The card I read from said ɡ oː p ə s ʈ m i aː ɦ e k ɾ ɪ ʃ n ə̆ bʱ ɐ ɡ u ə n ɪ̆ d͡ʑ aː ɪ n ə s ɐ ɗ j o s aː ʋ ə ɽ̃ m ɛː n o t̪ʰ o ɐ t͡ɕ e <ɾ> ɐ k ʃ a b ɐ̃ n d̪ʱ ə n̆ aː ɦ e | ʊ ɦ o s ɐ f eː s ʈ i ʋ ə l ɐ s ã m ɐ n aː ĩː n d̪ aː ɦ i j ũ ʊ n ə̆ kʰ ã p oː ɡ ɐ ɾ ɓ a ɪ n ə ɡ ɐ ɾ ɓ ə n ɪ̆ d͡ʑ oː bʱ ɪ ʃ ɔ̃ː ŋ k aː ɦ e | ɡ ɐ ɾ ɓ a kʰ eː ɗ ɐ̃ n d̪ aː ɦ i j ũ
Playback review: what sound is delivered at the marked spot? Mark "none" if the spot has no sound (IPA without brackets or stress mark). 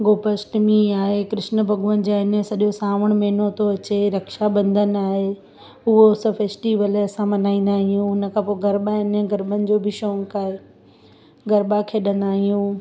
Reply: ɾ